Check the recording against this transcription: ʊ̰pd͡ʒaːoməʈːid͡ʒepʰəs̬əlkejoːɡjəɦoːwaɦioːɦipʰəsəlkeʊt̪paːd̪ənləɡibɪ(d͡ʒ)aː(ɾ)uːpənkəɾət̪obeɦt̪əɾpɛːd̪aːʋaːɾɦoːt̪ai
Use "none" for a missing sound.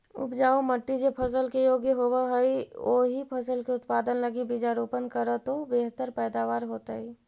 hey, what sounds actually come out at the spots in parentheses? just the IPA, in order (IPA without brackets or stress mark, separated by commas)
d͡ʒ, ɾ